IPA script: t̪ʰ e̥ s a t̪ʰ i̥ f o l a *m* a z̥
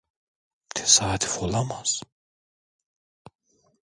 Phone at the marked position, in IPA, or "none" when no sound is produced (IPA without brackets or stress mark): m